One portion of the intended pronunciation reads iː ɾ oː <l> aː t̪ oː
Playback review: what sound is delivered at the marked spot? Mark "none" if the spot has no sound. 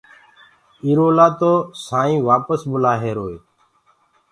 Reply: l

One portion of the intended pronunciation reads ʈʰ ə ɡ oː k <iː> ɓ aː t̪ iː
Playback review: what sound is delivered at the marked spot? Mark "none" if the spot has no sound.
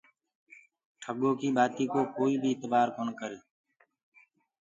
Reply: iː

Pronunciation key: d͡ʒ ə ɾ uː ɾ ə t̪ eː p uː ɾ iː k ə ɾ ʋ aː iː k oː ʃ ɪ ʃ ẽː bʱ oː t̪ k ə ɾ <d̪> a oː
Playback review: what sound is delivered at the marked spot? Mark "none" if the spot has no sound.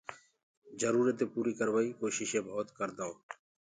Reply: d̪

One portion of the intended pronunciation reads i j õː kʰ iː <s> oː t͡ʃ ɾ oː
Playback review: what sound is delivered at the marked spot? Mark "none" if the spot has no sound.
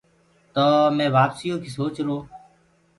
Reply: s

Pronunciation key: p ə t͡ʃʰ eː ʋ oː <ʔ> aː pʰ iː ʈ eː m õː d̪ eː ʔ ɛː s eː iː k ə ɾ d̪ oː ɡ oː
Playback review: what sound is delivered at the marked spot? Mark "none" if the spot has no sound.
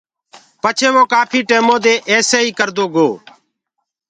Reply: k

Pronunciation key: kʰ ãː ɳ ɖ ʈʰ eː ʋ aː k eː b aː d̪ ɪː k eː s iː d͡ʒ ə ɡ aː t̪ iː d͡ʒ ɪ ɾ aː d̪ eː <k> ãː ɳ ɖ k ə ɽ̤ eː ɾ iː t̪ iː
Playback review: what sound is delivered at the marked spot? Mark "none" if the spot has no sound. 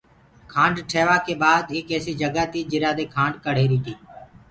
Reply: kʰ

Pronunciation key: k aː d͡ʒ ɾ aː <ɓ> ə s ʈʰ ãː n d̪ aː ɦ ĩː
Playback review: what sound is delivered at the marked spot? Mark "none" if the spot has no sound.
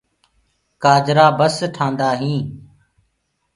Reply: b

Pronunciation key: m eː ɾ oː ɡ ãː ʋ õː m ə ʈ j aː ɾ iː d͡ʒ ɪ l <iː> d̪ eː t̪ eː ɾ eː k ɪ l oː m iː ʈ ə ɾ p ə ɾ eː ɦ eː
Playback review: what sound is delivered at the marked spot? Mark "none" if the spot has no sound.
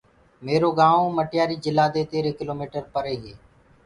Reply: aː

